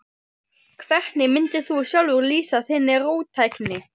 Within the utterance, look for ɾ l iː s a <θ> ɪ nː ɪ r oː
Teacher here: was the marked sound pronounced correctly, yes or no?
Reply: yes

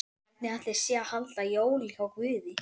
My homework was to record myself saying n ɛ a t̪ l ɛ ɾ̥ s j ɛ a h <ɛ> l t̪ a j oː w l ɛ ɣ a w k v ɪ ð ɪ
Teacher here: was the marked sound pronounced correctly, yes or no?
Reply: no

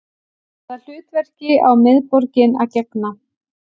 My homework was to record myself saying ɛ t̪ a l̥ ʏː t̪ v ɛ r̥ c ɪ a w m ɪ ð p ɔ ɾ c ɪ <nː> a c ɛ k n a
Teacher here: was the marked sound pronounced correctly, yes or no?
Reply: no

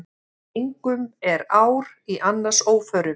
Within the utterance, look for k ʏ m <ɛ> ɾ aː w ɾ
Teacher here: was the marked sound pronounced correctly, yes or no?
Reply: yes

